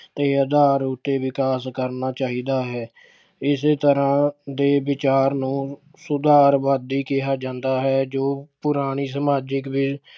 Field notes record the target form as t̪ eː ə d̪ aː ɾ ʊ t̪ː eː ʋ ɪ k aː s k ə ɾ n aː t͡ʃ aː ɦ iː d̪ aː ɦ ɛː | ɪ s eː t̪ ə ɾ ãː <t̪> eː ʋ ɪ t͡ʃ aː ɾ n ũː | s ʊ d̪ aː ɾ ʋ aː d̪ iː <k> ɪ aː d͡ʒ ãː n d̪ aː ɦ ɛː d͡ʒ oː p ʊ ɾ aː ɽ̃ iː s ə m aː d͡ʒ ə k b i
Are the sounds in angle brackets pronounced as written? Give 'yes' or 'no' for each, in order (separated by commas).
no, yes